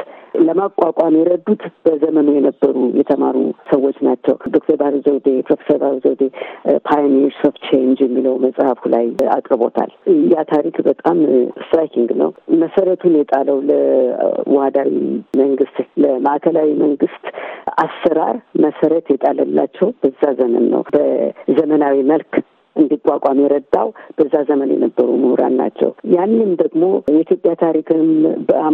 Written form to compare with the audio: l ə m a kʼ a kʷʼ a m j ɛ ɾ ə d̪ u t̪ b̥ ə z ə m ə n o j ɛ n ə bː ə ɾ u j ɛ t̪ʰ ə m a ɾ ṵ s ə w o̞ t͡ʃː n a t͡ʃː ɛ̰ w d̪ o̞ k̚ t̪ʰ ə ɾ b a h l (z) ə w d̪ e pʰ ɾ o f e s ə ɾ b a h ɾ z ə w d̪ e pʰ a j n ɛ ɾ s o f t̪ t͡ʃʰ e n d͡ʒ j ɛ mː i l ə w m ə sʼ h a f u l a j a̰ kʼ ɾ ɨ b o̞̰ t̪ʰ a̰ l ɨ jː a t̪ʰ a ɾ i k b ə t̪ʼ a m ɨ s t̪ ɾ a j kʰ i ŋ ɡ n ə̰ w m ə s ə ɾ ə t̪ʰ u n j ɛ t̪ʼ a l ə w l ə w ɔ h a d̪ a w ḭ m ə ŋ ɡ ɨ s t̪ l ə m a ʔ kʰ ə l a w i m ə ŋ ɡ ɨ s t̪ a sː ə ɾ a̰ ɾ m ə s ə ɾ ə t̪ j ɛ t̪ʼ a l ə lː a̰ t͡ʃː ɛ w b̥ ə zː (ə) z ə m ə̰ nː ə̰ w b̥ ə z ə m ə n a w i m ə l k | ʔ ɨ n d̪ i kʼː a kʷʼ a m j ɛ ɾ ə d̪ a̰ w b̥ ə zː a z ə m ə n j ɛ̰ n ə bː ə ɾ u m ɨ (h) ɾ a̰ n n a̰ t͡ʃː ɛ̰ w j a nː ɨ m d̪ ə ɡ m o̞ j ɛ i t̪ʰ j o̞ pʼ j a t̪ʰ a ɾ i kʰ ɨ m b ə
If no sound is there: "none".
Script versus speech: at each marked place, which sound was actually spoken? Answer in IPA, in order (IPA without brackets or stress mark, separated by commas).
z, a, h